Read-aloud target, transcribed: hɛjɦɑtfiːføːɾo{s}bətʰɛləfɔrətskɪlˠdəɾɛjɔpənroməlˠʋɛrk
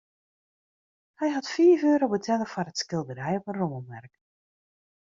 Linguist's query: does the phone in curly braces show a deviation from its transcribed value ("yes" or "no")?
yes